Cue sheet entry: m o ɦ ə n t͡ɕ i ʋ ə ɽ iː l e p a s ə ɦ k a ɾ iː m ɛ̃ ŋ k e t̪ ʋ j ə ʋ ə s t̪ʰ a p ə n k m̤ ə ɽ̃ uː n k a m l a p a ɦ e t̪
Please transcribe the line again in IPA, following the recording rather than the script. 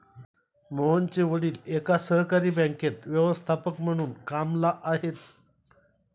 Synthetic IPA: m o ɦ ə n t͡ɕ e ʋ ə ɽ iː l e k a s ə ɦ k a ɾ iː b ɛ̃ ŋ k e t̪ ʋ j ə ʋ ə s t̪ʰ a p ə k m̤ ə ɽ̃ uː n k a m l a ʔ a ɦ e t̪